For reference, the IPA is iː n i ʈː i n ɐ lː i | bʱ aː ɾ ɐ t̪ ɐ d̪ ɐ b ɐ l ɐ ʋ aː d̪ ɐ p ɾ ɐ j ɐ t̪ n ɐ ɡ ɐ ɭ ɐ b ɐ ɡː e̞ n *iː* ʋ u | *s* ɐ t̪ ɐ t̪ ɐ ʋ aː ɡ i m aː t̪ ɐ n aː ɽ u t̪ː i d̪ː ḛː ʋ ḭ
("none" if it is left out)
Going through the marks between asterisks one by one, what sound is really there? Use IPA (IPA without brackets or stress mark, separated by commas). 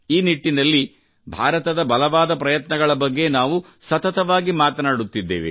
aː, s